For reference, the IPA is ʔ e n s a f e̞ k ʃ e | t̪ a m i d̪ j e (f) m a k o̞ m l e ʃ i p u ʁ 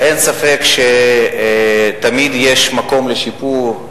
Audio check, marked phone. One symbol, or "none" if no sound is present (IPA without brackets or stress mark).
ʃ